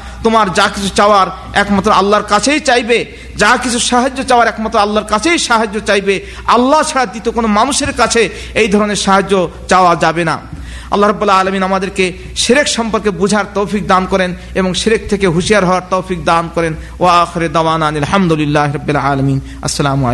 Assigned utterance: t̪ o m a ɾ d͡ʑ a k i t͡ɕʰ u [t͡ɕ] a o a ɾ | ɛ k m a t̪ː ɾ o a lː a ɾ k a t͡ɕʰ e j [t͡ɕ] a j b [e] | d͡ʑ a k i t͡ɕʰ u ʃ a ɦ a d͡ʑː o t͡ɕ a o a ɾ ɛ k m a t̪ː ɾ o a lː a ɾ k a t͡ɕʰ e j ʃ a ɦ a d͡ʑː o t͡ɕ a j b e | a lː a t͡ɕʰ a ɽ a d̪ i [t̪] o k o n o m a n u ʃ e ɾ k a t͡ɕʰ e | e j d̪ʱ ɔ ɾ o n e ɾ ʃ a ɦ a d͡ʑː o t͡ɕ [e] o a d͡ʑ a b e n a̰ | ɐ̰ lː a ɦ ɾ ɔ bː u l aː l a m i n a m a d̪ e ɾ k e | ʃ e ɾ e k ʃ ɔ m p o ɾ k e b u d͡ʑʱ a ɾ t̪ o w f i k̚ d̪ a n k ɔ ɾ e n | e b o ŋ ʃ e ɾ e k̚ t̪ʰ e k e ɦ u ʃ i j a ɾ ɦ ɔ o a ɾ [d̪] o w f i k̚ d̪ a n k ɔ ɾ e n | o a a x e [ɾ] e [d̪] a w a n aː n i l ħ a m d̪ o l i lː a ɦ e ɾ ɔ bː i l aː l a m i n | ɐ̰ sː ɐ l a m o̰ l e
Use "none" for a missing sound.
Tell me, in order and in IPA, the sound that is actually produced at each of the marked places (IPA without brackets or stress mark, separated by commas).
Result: t͡ɕ, t͡ɕ, e, t̪, a, t̪, ɾ, d̪